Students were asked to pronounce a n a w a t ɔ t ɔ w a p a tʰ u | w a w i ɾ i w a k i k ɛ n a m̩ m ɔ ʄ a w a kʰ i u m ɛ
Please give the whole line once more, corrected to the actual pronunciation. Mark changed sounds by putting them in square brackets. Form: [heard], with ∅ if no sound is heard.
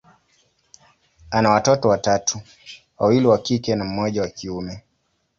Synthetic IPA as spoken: a n a w a t ɔ t ɔ w a [t] a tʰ u | w a w i [l] i w a k i k ɛ n a m̩ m ɔ ʄ a w a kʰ i u m ɛ